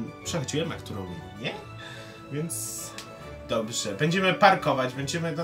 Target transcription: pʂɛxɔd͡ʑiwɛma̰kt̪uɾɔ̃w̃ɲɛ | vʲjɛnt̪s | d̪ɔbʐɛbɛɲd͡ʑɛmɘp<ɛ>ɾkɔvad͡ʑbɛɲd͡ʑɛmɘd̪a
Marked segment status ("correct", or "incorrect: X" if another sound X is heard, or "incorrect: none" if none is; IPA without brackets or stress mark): incorrect: a